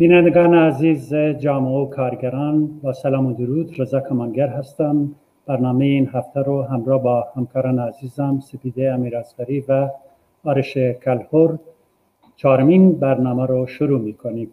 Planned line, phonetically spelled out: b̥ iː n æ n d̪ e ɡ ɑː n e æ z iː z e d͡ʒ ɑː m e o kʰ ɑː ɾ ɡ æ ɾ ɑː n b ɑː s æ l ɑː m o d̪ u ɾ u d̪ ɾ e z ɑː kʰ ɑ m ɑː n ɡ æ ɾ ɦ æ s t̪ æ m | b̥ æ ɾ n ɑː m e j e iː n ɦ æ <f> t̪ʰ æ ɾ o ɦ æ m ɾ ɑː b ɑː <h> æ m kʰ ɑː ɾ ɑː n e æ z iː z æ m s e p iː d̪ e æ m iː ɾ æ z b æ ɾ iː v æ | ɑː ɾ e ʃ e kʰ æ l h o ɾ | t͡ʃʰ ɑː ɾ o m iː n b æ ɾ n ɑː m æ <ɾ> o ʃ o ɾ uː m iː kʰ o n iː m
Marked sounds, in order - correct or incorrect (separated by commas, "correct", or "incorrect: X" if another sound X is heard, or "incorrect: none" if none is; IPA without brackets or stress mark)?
correct, correct, correct